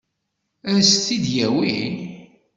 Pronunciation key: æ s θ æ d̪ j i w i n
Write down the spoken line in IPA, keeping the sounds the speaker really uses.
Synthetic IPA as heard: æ s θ i d̪ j æ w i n